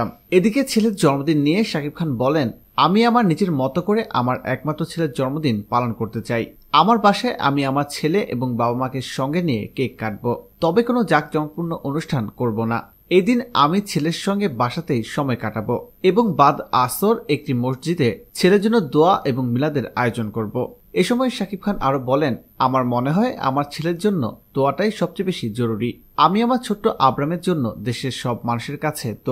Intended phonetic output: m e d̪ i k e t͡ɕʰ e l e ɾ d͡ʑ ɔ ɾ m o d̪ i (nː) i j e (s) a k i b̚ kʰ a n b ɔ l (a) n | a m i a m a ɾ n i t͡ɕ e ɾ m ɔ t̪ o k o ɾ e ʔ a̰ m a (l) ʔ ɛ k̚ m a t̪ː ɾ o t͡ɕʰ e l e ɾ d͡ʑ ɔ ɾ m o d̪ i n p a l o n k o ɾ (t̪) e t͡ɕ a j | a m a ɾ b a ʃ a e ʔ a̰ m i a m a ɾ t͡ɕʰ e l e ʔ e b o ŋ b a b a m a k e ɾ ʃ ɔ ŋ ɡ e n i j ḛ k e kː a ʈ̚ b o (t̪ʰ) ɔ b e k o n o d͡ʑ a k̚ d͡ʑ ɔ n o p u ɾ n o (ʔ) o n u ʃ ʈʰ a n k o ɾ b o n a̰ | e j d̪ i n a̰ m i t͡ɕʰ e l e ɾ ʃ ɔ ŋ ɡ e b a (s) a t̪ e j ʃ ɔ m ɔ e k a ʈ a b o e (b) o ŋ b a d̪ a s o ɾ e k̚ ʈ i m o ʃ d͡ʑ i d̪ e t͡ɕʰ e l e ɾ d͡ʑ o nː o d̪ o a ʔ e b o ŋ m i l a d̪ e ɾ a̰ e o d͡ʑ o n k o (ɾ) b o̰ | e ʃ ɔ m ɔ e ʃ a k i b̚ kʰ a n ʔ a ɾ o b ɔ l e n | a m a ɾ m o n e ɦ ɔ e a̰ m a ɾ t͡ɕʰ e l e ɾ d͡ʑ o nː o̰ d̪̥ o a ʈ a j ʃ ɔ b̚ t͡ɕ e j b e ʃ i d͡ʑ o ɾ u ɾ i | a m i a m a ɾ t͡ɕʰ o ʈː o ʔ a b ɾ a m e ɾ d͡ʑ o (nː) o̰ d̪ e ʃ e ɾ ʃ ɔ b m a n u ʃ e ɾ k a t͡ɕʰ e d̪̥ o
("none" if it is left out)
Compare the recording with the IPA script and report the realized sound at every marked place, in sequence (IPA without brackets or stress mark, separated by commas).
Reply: nː, ʃ, e, ɾ, t̪, t̪, ʔ, ʃ, b, ɾ, nː